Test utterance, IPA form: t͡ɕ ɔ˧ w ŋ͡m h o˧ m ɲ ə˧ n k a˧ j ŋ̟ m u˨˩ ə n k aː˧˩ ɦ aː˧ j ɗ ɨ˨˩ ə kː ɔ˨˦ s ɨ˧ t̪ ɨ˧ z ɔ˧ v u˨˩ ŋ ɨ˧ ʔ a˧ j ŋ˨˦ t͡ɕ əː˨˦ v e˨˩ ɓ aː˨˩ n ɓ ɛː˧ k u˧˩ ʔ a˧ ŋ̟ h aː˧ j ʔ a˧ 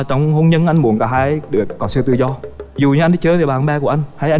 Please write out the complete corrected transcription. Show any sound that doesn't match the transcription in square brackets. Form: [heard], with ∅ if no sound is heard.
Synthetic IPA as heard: t͡ɕ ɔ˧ w ŋ͡m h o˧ [n] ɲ ə˧ n [ʔ] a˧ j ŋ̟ m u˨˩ ə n k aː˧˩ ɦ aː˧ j ɗ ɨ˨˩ ə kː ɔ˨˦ s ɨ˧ t̪ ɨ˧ z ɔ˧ [z] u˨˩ [ɲ] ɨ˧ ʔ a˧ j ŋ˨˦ t͡ɕ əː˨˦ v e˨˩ ɓ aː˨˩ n ɓ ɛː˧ k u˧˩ ʔ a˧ ŋ̟ h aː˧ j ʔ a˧